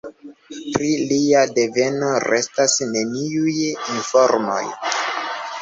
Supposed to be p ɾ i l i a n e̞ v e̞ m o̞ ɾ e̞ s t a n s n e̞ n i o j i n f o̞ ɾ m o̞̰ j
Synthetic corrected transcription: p ɾ i l i a d e̞ v e̞ n o̞ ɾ e̞ s t a s n e̞ n i u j i n f o̞ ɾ m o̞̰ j